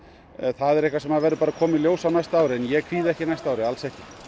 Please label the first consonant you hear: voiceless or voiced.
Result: voiceless